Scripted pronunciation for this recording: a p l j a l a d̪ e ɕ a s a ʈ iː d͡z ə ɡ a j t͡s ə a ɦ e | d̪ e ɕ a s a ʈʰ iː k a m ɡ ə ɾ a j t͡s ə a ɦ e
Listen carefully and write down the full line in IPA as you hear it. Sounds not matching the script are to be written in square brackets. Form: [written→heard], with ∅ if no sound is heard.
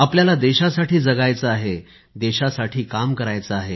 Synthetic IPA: a p l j a l a d̪ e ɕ a s a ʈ iː d͡z ə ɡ a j t͡s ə a ɦ e | d̪ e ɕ a s a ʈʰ iː k a m [ɡ→k] ə ɾ a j t͡s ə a ɦ e